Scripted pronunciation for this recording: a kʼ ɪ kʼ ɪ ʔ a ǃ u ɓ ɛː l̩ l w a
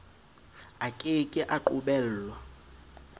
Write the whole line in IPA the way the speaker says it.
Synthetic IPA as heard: a kʼ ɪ kʼ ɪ ʔ a ǃ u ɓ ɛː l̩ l w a